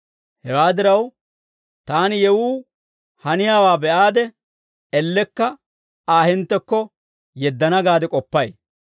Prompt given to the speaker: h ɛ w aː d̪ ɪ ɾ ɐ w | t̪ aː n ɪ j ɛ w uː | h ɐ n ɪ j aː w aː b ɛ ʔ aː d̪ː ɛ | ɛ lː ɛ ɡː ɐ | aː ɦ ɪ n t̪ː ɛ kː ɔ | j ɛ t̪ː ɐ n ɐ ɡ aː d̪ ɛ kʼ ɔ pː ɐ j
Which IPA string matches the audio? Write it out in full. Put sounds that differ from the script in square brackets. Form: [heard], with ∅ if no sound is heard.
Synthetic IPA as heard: h ɛ w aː d̪ ɪ ɾ ɐ w | t̪ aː n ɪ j ɛ w uː | h ɐ n ɪ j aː w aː b ɛ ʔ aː [d̪] ɛ | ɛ lː ɛ [kː] ɐ | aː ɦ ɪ n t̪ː ɛ kː ɔ | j ɛ [d̪ː] ɐ n ɐ ɡ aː d̪ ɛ kʼ ɔ pː ɐ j